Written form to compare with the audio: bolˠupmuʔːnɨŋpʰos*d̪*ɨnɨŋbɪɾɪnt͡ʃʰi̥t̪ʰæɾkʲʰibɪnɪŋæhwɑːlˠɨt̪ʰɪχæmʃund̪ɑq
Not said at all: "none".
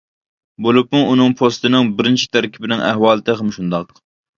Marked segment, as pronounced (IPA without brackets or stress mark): t̪